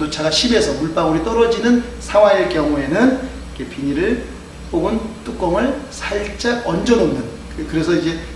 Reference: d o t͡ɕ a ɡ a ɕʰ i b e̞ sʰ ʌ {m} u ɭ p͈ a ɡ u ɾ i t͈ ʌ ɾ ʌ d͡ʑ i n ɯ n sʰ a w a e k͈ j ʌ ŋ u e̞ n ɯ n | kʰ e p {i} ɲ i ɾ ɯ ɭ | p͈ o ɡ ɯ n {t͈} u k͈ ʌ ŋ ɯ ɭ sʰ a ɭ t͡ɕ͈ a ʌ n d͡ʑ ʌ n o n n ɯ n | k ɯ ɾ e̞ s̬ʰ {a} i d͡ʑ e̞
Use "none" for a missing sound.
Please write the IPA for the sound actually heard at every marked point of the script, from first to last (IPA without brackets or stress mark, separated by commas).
m, i, t͈, ʌ